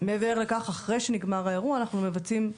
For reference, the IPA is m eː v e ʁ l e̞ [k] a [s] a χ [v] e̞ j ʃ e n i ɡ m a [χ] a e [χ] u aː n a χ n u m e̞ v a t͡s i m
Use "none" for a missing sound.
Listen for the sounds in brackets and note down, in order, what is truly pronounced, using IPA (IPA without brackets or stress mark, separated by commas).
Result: k, χ, ʁ, ʁ, ʁ